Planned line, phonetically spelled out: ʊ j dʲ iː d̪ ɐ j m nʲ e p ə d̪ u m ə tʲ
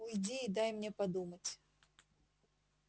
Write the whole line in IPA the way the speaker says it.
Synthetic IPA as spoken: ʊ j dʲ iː d̪ a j m nʲ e p ɐ d̪ u m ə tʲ